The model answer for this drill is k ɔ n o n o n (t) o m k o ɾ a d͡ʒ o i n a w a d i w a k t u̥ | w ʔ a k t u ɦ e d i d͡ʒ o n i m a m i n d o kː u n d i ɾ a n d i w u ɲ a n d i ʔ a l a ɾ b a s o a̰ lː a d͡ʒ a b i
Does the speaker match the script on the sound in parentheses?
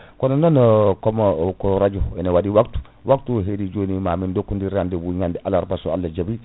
no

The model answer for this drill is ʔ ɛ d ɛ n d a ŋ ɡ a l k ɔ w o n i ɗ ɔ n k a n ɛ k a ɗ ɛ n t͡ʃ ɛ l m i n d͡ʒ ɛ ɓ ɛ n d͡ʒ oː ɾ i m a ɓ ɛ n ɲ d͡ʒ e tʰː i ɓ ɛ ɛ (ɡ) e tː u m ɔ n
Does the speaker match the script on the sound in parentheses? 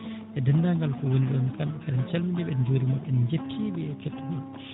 no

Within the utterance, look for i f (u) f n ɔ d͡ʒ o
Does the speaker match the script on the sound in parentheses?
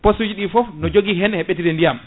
no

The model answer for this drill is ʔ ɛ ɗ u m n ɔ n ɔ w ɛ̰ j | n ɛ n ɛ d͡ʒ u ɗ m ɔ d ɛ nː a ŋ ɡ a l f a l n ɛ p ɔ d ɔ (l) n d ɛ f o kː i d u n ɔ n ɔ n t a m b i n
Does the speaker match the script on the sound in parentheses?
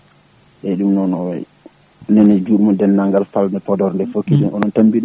no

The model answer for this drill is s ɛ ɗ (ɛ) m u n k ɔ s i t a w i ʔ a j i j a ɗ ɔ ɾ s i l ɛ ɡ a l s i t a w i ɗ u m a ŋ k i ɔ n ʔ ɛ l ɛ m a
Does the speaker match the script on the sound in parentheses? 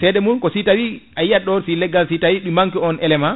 yes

